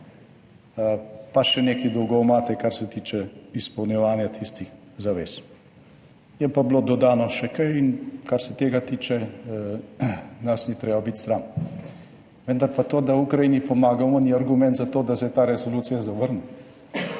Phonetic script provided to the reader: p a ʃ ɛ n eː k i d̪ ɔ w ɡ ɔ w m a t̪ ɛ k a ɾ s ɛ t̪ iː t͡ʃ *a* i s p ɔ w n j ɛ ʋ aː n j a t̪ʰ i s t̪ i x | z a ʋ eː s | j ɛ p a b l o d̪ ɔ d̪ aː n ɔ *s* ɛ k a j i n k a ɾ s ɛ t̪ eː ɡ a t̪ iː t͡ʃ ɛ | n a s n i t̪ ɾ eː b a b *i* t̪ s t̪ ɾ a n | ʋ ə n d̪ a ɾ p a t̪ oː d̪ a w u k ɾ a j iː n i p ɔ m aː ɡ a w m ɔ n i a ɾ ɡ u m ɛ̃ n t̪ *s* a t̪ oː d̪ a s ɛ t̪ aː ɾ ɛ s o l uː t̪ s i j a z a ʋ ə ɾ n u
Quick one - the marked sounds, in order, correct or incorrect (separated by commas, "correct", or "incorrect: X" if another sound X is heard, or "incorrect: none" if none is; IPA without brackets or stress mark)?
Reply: incorrect: ɛ, incorrect: ʃ, correct, incorrect: z